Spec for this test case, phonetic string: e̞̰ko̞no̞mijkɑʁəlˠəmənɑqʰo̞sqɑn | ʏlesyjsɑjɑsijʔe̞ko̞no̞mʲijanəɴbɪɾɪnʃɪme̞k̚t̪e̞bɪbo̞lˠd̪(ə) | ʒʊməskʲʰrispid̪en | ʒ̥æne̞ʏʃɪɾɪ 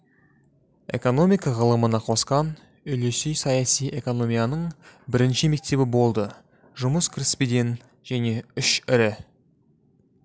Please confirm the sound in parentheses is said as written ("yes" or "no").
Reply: yes